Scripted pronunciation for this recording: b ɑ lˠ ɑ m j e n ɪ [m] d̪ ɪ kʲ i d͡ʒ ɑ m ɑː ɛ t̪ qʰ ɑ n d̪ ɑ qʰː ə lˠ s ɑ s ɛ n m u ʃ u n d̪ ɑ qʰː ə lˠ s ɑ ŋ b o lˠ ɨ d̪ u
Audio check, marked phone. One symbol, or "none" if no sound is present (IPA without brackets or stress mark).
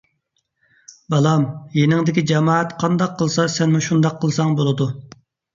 ŋ